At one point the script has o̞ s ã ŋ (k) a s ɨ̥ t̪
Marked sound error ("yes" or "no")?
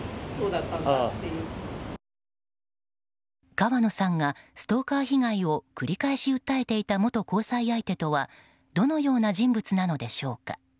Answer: yes